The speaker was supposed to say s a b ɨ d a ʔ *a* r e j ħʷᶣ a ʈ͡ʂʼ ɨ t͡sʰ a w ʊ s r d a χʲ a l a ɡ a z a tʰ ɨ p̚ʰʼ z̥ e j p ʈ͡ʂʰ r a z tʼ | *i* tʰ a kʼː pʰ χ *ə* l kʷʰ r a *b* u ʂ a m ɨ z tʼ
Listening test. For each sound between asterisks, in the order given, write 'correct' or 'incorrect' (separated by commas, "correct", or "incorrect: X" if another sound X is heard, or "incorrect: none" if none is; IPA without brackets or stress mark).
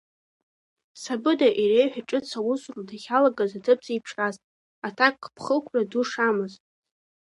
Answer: incorrect: i, incorrect: a, correct, incorrect: d